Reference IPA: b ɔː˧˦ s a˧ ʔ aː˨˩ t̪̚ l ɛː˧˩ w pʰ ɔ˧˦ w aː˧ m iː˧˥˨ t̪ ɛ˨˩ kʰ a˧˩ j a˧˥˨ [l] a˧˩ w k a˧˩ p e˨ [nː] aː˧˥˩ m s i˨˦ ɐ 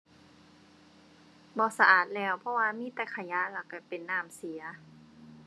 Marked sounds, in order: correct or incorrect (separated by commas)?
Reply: correct, correct